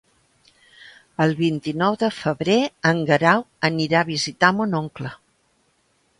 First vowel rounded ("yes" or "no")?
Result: no